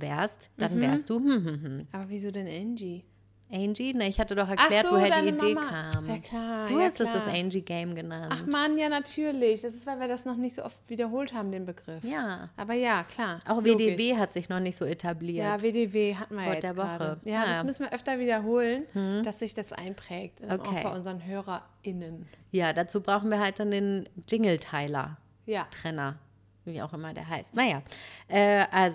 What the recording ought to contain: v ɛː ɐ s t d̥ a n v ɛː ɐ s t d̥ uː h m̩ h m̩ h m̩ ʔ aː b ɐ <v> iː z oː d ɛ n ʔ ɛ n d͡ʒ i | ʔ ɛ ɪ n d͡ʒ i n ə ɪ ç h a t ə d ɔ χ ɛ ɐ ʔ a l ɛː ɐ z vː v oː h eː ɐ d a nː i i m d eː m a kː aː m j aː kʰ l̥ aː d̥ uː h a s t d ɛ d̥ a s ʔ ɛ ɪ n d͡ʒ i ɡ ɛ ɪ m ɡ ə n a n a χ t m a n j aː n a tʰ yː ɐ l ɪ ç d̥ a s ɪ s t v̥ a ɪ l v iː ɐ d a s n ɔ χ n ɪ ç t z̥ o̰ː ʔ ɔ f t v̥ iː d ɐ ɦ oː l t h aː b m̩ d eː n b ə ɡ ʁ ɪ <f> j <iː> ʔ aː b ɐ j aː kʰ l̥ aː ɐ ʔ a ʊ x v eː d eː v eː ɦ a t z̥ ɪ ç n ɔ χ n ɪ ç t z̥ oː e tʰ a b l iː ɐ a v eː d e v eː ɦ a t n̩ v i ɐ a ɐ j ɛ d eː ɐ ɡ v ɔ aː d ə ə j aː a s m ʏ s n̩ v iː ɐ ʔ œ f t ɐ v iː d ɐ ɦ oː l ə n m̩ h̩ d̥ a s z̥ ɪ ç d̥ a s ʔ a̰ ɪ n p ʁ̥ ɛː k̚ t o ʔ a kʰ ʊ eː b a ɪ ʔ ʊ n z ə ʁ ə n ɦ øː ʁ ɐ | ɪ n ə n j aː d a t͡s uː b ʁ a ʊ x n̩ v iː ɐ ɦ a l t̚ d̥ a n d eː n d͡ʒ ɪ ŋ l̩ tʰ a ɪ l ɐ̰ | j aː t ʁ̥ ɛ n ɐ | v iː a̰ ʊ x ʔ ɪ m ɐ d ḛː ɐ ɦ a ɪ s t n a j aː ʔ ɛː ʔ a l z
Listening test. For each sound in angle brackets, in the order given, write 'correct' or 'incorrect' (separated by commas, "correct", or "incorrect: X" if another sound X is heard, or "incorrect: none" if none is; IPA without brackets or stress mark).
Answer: correct, correct, incorrect: aː